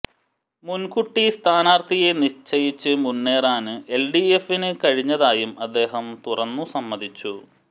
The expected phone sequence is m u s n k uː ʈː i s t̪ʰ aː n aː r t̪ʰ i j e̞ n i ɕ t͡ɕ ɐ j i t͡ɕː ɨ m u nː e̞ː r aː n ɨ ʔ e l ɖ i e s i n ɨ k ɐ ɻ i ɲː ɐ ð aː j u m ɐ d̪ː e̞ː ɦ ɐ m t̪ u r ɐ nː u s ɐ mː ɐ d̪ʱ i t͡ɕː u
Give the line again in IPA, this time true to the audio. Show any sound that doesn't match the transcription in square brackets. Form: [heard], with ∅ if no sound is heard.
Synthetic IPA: m u [∅] n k [u] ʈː i s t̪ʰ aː n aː r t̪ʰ i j e̞ n i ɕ t͡ɕ ɐ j i t͡ɕː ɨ m u nː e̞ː r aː n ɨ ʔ e l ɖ i e [f] i n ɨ k ɐ ɻ i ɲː ɐ ð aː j u m ɐ d̪ː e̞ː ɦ ɐ m t̪ u r ɐ nː u s ɐ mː ɐ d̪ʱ i t͡ɕː u

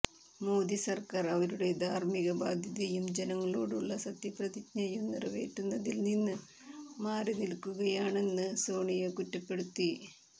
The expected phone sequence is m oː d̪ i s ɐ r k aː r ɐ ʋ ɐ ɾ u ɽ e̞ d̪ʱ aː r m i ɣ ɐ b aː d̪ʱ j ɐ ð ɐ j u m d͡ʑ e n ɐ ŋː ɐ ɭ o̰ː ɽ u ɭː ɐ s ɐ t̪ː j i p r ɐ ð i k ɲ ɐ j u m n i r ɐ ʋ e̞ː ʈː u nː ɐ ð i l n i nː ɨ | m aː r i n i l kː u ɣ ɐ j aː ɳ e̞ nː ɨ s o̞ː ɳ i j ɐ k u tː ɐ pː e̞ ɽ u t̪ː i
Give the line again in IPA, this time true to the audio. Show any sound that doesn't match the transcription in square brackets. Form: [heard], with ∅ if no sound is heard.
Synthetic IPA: m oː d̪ i s ɐ r k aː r ɐ ʋ ɐ ɾ u ɽ e̞ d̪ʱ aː r m i ɣ ɐ b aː d̪ʱ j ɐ ð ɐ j u m d͡ʑ e n ɐ ŋː ɐ ɭ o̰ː ɽ u ɭː ɐ s ɐ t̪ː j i p r ɐ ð i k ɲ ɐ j u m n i r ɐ ʋ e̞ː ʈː u nː ɐ ð i l n i nː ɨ | m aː r i n i l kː u ɣ ɐ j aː ɳ e̞ nː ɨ s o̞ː ɳ i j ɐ k u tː ɐ pː e̞ ɽ u t̪ː i

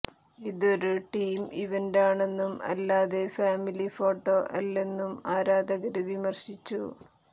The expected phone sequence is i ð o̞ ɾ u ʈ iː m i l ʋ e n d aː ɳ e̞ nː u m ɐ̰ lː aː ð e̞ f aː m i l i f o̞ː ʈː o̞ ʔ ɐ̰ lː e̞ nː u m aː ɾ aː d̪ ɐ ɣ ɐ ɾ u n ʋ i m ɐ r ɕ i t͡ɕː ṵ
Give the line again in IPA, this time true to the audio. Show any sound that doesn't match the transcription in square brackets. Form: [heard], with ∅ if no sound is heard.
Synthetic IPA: i ð o̞ ɾ u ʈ iː m i [∅] ʋ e n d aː ɳ e̞ nː u m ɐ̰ lː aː ð e̞ f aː m i l i f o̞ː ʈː o̞ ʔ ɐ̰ lː e̞ nː u m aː ɾ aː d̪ ɐ ɣ ɐ ɾ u [∅] ʋ i m ɐ r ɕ i t͡ɕː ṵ

